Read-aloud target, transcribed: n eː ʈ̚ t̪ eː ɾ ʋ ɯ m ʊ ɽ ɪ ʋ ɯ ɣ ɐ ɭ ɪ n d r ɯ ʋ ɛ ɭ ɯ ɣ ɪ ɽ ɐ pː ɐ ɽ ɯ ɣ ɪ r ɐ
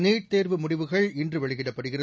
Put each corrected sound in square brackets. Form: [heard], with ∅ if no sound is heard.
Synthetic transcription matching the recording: n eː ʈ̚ t̪ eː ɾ ʋ ɯ m ʊ ɽ ɪ ʋ ɯ ɣ ɐ ɭ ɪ n d r ɯ ʋ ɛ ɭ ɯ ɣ ɪ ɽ ɐ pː ɐ ɽ ɯ ɣ ɪ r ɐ